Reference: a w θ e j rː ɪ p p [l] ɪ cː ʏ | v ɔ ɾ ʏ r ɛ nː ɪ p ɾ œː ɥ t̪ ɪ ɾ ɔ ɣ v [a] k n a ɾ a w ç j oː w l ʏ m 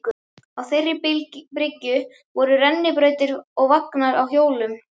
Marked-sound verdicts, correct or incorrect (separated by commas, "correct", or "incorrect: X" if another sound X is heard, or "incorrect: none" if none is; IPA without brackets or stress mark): incorrect: ɾ, correct